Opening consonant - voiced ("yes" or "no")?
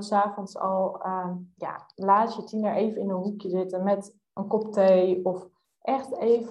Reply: no